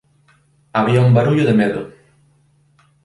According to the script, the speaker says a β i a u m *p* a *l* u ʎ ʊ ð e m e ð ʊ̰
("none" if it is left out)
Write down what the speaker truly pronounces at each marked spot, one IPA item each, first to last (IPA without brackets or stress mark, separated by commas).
b, ɾ